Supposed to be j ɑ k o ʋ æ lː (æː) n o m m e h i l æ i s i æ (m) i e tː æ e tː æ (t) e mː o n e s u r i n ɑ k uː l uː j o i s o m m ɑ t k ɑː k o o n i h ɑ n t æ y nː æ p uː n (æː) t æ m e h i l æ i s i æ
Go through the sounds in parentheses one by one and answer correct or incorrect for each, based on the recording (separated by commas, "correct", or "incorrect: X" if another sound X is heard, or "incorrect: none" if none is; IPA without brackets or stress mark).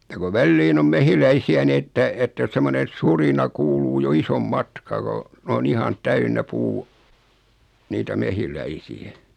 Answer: incorrect: iː, incorrect: n, incorrect: s, incorrect: iː